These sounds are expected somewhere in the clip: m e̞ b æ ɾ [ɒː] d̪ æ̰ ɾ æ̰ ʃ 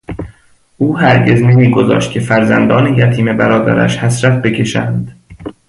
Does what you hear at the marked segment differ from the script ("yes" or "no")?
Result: no